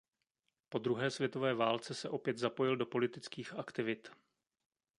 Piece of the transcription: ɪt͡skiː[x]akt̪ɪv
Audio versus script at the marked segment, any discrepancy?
no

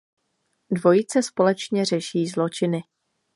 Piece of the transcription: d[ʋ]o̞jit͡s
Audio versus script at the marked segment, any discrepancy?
yes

